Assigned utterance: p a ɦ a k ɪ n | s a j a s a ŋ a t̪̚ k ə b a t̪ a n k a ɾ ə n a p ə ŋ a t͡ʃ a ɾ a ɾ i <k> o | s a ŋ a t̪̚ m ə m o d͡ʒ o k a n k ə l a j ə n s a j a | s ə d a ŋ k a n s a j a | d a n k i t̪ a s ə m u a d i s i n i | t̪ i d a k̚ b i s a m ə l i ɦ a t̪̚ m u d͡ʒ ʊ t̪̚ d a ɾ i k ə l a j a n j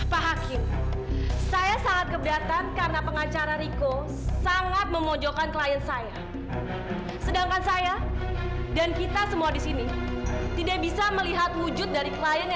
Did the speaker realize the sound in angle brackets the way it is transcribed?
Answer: yes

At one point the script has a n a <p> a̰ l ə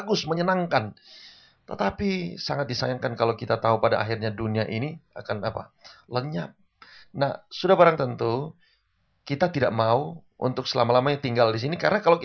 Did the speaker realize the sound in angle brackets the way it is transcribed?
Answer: yes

